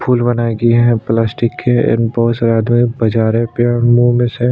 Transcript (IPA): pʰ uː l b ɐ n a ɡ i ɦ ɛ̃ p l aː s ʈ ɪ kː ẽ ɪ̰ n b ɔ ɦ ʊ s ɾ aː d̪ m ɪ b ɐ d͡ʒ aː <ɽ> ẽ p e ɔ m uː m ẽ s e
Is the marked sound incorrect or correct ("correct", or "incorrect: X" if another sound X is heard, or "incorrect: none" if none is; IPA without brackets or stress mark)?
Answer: incorrect: ɾ